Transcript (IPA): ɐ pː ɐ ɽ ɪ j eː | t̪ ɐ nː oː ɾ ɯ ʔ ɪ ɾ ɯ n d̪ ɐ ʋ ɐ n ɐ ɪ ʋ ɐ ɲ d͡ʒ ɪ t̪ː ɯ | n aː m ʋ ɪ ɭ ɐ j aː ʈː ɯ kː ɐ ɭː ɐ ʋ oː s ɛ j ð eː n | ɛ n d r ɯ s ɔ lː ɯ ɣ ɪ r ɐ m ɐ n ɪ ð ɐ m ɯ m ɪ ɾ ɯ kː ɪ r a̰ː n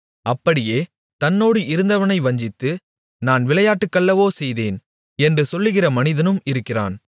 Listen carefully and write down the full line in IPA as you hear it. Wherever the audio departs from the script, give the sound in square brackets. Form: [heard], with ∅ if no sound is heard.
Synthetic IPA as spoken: ɐ pː ɐ ɽ ɪ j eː | t̪ ɐ nː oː [ɽ] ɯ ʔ ɪ ɾ ɯ n d̪ ɐ ʋ ɐ n ɐ ɪ ʋ ɐ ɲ d͡ʒ ɪ t̪ː ɯ | n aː [n] ʋ ɪ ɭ ɐ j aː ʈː ɯ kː ɐ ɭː ɐ ʋ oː s ɛ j ð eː n | ɛ n d r ɯ s ɔ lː ɯ ɣ ɪ r ɐ m ɐ n ɪ ð ɐ [n] ɯ m ɪ ɾ ɯ kː ɪ r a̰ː n